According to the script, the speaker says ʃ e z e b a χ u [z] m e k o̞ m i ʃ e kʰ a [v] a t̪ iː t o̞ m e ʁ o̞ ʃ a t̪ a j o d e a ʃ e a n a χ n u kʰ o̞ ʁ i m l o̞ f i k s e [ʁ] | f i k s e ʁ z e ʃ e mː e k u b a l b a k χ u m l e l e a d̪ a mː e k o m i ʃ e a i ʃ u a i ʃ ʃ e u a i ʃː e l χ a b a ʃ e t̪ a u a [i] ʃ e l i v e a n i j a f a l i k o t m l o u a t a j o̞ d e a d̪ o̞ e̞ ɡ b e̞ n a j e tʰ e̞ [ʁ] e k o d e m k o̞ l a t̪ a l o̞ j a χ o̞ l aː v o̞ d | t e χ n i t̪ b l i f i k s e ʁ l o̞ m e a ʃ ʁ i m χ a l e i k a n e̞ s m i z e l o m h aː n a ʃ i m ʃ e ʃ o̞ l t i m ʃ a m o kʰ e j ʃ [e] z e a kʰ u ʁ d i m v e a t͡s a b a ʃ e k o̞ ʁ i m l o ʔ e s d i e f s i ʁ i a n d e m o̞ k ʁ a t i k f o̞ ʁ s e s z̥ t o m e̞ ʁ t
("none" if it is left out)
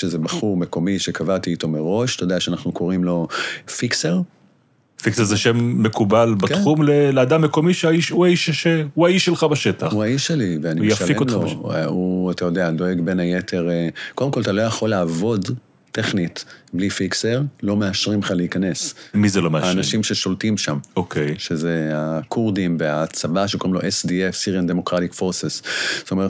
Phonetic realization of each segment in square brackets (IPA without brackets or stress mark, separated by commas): ʁ, v, ʁ, i, ʁ, e